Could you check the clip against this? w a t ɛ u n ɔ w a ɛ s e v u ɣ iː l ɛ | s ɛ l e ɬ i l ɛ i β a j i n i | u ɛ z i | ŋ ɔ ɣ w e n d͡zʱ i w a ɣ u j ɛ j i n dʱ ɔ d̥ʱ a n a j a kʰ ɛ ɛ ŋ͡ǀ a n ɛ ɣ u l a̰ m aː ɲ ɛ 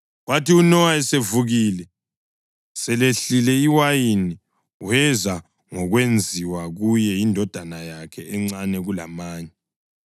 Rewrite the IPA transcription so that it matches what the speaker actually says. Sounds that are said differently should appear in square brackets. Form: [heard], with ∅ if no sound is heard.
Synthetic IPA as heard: w a t [i] u n ɔ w a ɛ s e v u ɣ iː l ɛ | s ɛ l e ɬ i l ɛ i [w] a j i n i | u ɛ z [a] | ŋ ɔ ɣ w e n d͡zʱ i w a ɣ u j ɛ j i n dʱ ɔ d̥ʱ a n a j a kʰ ɛ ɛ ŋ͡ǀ a n ɛ ɣ u l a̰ m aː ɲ ɛ